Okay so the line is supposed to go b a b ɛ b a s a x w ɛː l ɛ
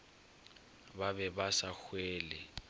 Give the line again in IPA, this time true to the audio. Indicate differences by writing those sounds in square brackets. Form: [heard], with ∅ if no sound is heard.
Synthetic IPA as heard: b a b ɛ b a s a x w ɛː l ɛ